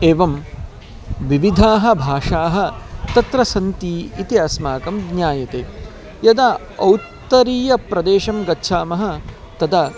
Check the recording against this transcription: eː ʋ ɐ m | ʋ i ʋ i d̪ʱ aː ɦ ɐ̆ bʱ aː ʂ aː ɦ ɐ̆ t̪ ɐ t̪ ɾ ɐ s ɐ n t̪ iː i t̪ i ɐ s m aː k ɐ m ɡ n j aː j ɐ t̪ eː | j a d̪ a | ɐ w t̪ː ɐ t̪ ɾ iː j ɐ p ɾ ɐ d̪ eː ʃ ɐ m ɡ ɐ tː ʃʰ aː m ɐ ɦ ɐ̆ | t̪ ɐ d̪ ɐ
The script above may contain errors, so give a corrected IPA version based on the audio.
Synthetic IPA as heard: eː ʋ ɐ m | ʋ i ʋ i d̪ʱ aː ɦ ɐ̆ bʱ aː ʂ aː ɦ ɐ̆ t̪ ɐ t̪ ɾ ɐ s ɐ n t̪ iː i t̪ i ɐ s m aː k ɐ m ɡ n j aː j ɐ t̪ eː | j ɐ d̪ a | ɐ w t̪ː ɐ ɾ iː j ɐ p ɾ ɐ d̪ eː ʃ ɐ m ɡ ɐ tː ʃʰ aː m ɐ ɦ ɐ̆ | t̪ ɐ d̪ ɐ